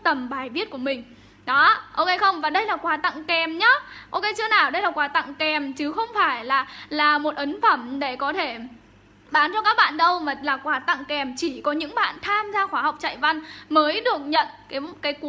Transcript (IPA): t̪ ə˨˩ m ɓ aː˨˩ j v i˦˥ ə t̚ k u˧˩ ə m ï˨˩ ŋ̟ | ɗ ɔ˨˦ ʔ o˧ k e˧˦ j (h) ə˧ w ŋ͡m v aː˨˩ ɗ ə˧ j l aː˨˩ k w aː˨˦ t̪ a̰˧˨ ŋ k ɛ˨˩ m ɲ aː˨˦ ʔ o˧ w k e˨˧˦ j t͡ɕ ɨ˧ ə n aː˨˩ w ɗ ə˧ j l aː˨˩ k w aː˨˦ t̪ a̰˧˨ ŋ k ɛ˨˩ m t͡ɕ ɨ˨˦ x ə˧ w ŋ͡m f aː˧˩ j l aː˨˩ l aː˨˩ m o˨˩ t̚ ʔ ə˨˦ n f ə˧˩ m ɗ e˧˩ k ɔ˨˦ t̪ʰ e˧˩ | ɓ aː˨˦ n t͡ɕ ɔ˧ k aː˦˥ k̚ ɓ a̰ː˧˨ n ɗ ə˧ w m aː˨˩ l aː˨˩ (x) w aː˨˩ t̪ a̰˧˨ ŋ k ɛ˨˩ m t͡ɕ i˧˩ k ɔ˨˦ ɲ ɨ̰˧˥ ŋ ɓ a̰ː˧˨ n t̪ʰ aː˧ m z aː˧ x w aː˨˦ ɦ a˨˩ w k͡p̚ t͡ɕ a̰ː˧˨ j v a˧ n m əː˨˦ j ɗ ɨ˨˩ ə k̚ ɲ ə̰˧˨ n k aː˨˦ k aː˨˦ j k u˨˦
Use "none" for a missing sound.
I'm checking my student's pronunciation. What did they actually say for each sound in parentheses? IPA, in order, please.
x, k

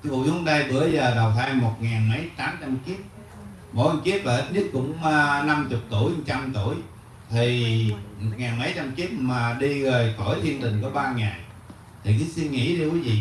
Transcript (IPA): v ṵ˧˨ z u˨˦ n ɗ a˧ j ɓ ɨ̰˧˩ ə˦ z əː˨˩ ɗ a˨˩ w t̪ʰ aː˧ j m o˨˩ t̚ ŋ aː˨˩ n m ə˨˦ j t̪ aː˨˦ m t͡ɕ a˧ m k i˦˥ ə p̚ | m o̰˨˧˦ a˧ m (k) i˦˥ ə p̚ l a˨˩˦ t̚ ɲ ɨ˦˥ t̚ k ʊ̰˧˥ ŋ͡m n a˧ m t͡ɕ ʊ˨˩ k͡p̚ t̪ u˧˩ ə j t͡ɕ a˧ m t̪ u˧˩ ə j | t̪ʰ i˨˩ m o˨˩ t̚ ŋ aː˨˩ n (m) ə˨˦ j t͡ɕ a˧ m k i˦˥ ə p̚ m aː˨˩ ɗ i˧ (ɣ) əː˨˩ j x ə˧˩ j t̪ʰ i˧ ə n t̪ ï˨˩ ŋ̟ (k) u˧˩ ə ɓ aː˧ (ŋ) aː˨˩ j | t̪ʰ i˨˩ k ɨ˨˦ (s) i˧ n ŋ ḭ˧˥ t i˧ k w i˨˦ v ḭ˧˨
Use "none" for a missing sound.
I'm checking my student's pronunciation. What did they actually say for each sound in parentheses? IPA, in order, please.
k, m, ɣ, k, ŋ, s

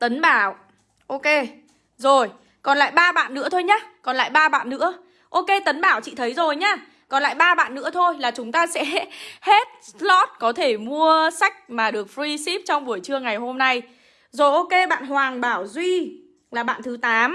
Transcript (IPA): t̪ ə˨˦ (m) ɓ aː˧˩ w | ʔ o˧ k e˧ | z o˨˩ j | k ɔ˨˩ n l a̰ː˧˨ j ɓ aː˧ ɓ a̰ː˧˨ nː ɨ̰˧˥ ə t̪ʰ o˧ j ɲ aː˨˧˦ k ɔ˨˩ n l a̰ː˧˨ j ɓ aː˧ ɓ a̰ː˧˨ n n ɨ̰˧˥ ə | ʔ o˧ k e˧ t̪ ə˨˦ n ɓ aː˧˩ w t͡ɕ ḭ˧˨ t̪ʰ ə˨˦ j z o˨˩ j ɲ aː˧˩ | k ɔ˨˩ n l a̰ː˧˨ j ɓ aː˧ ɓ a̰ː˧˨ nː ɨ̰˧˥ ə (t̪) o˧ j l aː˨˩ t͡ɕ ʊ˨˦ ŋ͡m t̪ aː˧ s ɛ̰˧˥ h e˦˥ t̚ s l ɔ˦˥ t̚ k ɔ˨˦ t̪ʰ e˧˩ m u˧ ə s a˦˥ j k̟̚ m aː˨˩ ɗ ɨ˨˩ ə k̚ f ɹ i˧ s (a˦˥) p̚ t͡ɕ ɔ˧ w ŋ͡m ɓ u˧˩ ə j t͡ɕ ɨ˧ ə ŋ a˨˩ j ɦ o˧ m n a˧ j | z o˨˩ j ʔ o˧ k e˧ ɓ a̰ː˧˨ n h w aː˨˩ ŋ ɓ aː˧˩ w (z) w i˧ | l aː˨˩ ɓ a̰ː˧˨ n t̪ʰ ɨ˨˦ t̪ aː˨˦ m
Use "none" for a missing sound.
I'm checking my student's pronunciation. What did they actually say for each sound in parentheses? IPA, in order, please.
n, t̪ʰ, i˦˥, z

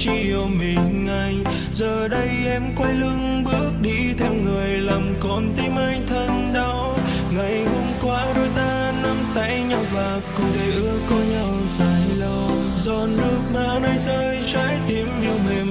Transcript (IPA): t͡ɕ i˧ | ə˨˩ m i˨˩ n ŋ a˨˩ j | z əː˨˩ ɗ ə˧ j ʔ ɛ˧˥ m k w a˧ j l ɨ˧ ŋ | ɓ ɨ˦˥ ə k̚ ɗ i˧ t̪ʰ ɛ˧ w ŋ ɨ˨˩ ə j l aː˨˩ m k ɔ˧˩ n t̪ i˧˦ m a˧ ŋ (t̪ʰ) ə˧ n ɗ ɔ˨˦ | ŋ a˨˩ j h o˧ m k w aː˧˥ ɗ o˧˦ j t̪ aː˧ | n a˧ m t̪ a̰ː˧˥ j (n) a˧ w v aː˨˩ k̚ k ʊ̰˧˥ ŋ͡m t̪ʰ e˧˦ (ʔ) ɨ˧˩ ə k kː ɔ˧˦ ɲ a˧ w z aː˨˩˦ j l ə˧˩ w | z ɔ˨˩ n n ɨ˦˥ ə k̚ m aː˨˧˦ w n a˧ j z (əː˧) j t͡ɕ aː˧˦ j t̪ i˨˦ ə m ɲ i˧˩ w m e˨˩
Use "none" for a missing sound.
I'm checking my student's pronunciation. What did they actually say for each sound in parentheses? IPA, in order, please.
t̪ʰ, ɲ, ʔ, əː˧

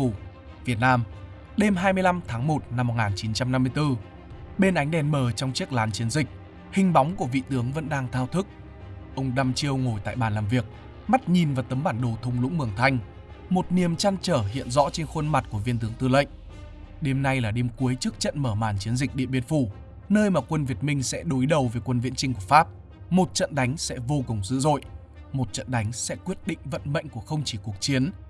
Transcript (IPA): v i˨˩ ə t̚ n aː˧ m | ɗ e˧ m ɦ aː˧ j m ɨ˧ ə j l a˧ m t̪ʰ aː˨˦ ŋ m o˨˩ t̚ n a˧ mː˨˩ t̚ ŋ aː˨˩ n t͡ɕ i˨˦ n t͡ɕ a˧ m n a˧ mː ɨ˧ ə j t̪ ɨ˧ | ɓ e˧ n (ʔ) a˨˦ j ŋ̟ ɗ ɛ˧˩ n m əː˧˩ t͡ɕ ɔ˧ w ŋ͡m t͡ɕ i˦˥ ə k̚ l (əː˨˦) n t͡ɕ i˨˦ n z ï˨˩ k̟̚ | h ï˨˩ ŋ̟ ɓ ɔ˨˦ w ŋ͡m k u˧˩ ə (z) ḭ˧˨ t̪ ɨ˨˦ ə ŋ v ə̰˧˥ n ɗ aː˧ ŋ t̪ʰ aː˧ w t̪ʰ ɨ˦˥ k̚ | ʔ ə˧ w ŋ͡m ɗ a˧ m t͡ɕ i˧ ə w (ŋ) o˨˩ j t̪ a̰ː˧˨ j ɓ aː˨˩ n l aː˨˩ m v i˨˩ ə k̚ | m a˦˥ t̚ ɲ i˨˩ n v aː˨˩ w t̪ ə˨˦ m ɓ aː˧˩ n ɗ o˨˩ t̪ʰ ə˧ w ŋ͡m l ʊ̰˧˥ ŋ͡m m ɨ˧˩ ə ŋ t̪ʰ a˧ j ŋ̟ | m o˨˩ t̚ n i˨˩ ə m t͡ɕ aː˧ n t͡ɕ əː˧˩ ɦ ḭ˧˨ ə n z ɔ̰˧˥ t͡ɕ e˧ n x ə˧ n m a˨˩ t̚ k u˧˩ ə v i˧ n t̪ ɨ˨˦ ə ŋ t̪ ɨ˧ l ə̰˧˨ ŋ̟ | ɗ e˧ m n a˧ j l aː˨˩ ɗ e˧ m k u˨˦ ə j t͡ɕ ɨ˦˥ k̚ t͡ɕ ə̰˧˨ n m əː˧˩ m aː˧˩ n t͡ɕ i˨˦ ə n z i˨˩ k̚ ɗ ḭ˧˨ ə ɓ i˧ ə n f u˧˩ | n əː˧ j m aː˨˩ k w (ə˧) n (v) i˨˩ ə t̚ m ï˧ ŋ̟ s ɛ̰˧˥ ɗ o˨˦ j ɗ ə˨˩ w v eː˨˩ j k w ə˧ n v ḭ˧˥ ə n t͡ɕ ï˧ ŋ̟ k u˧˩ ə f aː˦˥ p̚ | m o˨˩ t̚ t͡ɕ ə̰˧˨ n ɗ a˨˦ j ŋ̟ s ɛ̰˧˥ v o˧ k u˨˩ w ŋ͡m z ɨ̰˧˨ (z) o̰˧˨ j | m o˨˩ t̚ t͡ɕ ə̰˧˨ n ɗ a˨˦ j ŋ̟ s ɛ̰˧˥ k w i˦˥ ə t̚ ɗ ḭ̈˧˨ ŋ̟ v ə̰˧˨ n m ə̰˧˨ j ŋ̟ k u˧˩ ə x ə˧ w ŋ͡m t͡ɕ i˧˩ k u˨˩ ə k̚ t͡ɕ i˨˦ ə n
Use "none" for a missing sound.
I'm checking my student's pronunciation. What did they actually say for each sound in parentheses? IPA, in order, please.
ʔ, aː˨˦, v, ŋ, ə˧, v, z

